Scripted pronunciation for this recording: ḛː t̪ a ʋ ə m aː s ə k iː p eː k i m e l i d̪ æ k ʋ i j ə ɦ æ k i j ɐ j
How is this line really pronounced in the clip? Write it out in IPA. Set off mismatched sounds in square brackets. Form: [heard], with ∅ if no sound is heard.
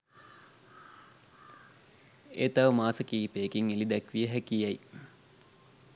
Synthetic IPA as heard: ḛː t̪ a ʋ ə m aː s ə k iː p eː k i [ŋ] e l i d̪ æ k ʋ i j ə ɦ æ k i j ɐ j